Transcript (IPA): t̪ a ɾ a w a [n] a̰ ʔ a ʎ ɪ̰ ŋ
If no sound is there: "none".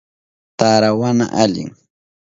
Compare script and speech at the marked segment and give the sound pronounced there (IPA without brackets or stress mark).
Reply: n